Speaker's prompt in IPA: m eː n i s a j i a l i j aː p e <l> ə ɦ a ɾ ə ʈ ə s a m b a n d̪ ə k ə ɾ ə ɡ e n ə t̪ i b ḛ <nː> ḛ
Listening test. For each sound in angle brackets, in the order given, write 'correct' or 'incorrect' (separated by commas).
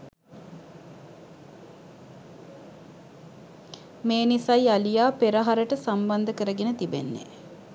incorrect, correct